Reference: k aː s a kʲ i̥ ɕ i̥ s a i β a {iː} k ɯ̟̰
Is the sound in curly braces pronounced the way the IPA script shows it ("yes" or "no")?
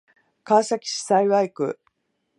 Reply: no